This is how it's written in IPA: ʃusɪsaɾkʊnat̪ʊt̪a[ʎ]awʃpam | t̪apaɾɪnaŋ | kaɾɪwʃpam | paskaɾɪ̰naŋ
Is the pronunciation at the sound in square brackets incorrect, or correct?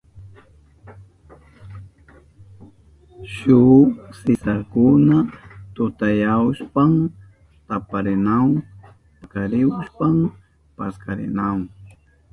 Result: incorrect